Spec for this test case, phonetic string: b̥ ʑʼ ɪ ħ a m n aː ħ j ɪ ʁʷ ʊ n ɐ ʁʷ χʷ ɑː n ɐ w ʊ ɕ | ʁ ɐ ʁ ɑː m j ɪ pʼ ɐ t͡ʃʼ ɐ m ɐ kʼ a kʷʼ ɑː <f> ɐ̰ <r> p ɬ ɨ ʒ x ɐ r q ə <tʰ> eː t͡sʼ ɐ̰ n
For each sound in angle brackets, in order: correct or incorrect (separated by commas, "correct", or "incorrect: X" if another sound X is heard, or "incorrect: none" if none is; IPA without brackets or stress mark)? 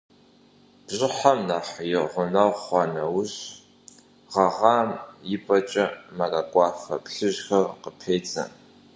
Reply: correct, incorrect: none, incorrect: pʰ